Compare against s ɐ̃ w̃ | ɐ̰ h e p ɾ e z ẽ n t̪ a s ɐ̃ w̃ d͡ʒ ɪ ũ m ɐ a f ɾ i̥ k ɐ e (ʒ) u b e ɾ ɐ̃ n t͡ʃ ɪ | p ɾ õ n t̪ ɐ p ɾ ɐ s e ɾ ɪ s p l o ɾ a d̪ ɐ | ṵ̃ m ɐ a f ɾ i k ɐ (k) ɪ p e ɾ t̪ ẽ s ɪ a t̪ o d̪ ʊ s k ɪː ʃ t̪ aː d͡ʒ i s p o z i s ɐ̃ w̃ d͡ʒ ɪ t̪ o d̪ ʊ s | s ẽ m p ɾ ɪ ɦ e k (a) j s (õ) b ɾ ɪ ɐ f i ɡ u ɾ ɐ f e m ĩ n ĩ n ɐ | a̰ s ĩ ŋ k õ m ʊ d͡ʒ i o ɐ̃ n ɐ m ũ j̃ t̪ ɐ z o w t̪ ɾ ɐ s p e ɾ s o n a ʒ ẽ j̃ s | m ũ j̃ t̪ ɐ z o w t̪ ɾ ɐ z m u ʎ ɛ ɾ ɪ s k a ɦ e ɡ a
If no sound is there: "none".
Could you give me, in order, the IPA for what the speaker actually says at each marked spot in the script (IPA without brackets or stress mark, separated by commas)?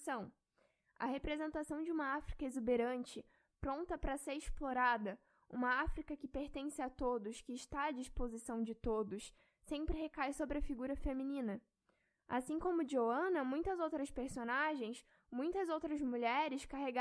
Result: z, k, a, o